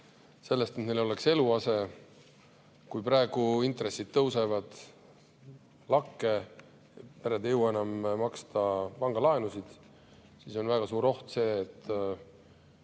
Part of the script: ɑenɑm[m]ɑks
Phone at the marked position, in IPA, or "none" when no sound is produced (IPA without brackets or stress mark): m